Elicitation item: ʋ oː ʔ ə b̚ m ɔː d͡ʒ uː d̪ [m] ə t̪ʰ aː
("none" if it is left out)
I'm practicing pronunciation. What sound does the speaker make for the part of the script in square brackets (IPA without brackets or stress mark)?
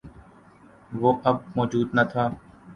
n